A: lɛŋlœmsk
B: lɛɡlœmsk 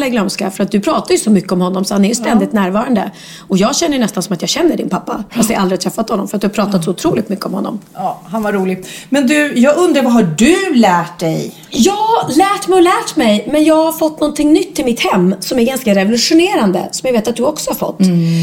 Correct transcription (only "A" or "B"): B